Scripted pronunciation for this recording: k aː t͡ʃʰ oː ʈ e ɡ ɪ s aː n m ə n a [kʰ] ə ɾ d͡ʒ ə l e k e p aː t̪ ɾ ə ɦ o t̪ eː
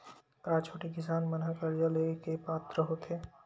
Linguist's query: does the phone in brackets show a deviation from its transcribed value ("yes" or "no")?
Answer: yes